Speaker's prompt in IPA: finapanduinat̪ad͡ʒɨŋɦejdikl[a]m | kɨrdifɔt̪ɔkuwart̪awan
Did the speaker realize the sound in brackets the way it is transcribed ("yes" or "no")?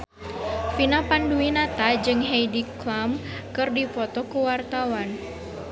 yes